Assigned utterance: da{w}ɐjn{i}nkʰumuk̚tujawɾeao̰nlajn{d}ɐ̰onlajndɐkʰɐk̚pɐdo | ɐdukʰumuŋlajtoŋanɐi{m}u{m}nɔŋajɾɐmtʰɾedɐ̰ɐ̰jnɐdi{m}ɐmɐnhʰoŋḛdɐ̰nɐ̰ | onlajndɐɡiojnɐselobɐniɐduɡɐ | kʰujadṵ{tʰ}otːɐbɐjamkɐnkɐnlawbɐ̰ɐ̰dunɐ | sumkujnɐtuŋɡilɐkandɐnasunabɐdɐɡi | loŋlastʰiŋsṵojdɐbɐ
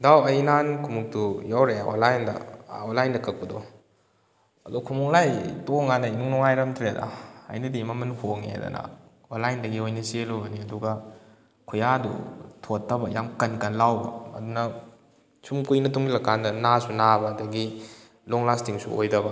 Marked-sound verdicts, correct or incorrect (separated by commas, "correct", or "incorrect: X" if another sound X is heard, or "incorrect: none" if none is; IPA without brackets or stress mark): correct, incorrect: a, correct, incorrect: n, incorrect: ŋ, correct, correct